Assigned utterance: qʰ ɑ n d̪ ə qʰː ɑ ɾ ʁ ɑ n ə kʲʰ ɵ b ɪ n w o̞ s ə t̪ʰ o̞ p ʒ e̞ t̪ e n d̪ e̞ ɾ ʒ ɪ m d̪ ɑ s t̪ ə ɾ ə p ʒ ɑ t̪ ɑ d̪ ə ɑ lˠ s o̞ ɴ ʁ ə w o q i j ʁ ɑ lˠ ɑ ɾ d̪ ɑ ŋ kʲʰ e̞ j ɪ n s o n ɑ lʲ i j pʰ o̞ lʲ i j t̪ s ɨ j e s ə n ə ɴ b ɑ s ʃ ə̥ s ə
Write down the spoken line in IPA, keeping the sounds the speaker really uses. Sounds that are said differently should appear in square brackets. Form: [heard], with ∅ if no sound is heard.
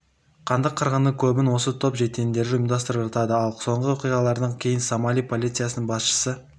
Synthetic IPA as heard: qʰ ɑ n d̪ ə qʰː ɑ ɾ ʁ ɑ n ə kʲʰ ɵ b ɪ n w o̞ s ə t̪ʰ o̞ p ʒ e̞ t̪ e n d̪ e̞ ɾ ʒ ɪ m d̪ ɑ s t̪ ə ɾ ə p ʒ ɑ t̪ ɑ d̪ ə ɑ lˠ s o̞ ɴ ʁ ə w o q i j ʁ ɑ lˠ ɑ ɾ d̪ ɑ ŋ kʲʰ e̞ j ɪ n s o [m] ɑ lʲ i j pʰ o̞ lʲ i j t̪ s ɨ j [a] s ə n ə ɴ b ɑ s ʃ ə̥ s ə